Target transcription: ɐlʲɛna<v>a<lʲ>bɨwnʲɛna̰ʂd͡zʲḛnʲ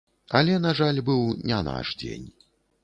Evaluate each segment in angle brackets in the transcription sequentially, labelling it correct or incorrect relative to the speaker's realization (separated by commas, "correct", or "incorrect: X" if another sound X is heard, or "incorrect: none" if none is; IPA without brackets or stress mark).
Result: incorrect: ʐ, correct